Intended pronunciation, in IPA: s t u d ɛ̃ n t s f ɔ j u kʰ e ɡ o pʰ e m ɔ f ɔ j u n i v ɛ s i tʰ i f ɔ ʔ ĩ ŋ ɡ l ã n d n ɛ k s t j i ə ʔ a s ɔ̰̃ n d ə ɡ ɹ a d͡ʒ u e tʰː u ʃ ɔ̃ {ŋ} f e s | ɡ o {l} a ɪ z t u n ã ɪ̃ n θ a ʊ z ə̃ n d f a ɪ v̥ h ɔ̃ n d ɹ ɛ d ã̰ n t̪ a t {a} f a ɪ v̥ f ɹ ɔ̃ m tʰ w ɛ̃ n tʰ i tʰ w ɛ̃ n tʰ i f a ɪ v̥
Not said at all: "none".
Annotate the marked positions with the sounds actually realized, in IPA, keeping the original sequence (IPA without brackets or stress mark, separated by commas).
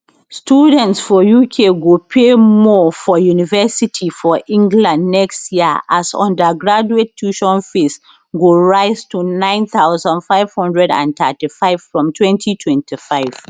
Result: n, ɹ, i